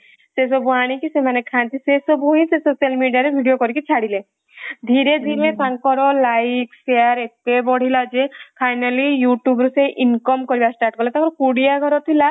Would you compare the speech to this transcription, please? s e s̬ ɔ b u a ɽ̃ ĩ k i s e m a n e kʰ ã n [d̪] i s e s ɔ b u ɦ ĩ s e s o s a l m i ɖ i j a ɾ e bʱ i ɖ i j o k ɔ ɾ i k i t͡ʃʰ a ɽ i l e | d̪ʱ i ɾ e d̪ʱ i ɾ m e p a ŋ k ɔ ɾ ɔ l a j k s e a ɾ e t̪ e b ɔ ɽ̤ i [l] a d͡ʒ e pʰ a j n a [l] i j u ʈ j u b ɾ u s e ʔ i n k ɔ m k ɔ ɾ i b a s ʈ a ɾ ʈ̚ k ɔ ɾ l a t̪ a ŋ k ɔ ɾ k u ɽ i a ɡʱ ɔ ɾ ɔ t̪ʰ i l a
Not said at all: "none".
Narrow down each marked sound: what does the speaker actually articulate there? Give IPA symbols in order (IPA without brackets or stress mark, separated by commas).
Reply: t̪, l, l